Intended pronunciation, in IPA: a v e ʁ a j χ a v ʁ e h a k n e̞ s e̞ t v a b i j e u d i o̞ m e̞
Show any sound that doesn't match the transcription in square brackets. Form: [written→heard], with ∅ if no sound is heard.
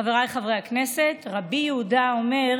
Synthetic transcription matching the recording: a v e ʁ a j χ a v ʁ e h a k n e̞ s e̞ t [v→ʁ] a b i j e u d [i→a] o̞ m e̞